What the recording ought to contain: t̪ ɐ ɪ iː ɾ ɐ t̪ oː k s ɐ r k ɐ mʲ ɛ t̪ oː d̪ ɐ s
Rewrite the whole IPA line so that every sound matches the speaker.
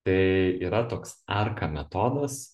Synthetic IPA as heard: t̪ ɐ ɪ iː ɾ ɐ t̪ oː k s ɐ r k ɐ mʲ ɛ t̪ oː d̪ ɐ s